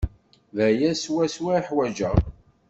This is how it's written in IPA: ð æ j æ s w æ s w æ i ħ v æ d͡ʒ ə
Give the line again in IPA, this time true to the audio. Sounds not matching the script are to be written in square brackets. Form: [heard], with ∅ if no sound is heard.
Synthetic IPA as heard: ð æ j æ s w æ s w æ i ħ [w] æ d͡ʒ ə